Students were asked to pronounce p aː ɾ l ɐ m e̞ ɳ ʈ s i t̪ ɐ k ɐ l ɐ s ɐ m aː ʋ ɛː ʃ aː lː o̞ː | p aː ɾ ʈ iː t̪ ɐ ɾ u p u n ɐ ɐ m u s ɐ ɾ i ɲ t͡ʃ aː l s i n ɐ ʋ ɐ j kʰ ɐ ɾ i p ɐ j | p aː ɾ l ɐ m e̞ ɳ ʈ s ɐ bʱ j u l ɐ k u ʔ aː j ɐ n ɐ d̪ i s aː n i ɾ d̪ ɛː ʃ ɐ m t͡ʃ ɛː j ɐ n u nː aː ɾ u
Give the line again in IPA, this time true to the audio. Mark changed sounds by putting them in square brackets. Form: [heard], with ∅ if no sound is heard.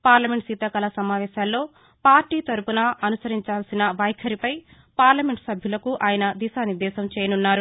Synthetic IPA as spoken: p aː ɾ l ɐ m e̞ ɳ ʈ s i t̪ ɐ k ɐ l ɐ s ɐ m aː ʋ ɛː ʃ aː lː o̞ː | p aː ɾ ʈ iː t̪ ɐ ɾ u p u n ɐ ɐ [n] u s ɐ ɾ i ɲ t͡ʃ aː l s i n ɐ ʋ ɐ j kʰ ɐ ɾ i p ɐ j | p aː ɾ l ɐ m e̞ ɳ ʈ s ɐ bʱ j u l ɐ k u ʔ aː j ɐ n ɐ d̪ i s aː n i ɾ d̪ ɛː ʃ ɐ m t͡ʃ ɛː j ɐ n u nː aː ɾ u

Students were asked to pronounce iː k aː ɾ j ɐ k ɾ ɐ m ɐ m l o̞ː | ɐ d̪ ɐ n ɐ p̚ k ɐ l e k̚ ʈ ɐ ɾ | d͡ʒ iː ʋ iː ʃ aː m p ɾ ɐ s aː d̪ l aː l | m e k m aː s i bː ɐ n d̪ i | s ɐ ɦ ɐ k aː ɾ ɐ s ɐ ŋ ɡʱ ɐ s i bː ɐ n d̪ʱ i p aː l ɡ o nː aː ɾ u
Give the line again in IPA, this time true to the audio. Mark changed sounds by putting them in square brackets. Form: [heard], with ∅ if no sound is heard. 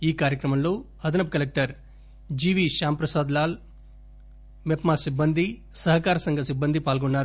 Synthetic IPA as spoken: iː k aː ɾ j ɐ k ɾ ɐ m ɐ m l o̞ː | ɐ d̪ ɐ n ɐ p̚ k ɐ l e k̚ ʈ ɐ ɾ | d͡ʒ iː ʋ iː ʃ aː m p ɾ ɐ s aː d̪ l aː l | m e [p] m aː s i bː ɐ n d̪ i | s ɐ ɦ ɐ k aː ɾ ɐ s ɐ ŋ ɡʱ ɐ s i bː ɐ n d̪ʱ i p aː l ɡ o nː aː ɾ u

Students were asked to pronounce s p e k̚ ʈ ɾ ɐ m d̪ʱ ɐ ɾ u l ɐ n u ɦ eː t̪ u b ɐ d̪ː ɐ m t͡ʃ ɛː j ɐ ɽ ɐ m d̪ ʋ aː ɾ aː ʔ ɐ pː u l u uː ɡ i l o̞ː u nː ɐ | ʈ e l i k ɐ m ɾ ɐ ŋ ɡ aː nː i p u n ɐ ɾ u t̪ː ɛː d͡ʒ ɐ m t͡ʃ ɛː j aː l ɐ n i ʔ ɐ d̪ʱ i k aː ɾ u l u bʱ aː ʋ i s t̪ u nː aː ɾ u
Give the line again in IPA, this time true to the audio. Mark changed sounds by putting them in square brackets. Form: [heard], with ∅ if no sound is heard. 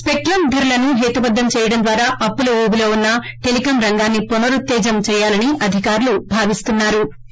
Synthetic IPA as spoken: s p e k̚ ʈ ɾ ɐ m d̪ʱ ɐ ɾ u l ɐ n u ɦ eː t̪ u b ɐ d̪ː ɐ m t͡ʃ ɛː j ɐ ɽ ɐ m d̪ ʋ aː ɾ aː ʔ ɐ pː u l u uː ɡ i l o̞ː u nː ɐ | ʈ e l i k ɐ m ɾ ɐ ŋ ɡ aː nː i p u n ɐ ɾ u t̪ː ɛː d͡ʒ ɐ m t͡ʃ ɛː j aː l ɐ n i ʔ ɐ d̪ʱ i k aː ɾ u l u bʱ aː ʋ i s t̪ u nː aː ɾ u

